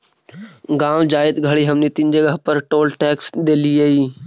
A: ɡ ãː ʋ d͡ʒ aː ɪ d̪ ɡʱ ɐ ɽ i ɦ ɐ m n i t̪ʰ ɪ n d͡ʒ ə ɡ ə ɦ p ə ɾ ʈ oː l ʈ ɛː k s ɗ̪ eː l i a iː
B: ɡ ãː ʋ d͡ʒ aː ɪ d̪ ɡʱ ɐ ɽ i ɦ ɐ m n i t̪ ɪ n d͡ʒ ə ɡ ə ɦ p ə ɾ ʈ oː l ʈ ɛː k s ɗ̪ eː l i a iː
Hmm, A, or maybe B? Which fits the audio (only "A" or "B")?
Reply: B